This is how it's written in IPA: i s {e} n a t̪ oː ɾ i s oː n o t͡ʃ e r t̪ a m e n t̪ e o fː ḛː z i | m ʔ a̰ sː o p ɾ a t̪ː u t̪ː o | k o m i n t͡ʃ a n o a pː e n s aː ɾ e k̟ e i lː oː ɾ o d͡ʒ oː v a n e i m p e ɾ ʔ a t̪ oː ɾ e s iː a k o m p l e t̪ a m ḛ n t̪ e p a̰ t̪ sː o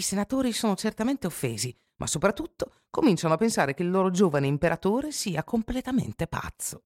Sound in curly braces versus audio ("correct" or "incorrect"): correct